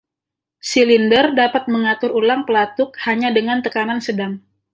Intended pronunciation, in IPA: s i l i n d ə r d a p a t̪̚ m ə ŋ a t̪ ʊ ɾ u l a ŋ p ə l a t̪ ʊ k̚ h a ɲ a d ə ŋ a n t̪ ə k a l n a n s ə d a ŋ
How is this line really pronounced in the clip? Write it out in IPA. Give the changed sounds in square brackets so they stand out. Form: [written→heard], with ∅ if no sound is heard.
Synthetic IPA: s i l i n d ə r d a p a t̪̚ m ə ŋ a t̪ ʊ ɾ u l a ŋ p ə l a t̪ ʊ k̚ h a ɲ a d ə ŋ a n t̪ ə k a [l→∅] n a n s ə d a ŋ